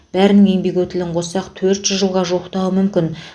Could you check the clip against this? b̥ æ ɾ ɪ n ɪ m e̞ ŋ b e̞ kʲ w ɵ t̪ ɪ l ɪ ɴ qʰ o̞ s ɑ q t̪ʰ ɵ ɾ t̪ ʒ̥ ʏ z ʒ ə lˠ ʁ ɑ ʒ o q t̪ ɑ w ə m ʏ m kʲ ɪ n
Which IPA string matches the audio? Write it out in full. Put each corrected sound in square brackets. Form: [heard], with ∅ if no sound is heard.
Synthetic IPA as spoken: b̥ æ ɾ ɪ n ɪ [ŋ] e̞ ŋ b e̞ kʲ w ɵ t̪ ɪ l ɪ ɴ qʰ o̞ s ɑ q t̪ʰ ɵ ɾ t̪ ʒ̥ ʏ z ʒ ə lˠ ʁ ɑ ʒ o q t̪ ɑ w ə m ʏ m kʲ ɪ n